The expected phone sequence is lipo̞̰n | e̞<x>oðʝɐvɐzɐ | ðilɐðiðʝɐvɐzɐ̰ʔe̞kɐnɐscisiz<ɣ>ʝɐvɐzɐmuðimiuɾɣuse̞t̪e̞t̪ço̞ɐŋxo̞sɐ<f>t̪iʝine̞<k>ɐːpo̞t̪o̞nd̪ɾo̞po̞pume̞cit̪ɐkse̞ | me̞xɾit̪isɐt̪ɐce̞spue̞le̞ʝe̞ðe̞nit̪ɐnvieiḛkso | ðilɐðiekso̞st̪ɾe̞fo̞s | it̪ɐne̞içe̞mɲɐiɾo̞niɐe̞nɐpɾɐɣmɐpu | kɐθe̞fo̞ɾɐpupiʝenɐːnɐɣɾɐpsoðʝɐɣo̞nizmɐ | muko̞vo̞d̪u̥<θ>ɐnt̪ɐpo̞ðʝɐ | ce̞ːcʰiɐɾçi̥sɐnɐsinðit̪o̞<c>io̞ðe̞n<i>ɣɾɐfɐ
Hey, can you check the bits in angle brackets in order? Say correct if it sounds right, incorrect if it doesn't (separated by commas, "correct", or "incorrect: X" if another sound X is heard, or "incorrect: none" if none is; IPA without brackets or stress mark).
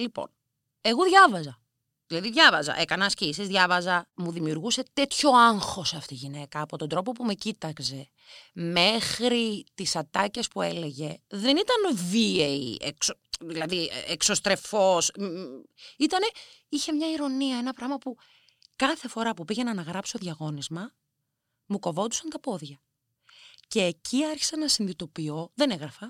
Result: incorrect: ɣ, incorrect: ð, correct, correct, incorrect: s, incorrect: p, incorrect: e